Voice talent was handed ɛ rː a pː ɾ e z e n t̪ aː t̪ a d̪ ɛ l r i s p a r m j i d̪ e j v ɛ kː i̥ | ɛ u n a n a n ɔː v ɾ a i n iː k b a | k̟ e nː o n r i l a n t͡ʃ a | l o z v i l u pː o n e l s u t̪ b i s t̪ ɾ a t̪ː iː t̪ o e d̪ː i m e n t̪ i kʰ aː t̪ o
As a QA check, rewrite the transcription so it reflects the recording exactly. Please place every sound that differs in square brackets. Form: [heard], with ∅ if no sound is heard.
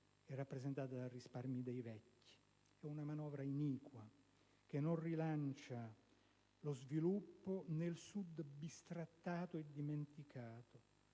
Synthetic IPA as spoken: ɛ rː a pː ɾ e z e n t̪ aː t̪ a d̪ [a] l r i s p a r m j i d̪ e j v ɛ kː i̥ | ɛ u n a [m] a n ɔː v ɾ a i n iː k [w] a | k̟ e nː o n r i l a n t͡ʃ a | l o z v i l u pː o n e l s u [d̪] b i s t̪ ɾ a t̪ː [aː] t̪ o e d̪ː i m e n t̪ i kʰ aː t̪ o